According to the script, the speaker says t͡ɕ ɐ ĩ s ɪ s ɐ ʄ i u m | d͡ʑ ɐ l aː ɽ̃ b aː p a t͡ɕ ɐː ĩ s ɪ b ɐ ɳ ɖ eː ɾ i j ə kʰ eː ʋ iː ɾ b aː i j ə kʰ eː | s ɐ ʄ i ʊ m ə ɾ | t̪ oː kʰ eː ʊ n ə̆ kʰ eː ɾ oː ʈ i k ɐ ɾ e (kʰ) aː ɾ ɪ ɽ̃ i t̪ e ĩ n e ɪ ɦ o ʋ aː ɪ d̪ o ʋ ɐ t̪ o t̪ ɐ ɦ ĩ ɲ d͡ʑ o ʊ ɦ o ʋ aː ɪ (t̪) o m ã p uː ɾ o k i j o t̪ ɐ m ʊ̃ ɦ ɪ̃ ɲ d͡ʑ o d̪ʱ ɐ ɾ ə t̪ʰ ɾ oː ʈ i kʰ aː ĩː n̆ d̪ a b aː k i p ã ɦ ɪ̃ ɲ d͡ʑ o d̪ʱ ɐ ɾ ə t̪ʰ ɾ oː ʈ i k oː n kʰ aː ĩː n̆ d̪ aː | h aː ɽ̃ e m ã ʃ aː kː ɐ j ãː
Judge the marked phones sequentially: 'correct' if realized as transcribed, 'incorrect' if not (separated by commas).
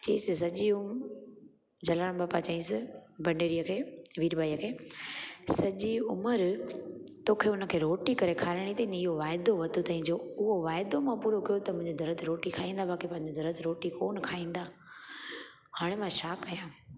correct, incorrect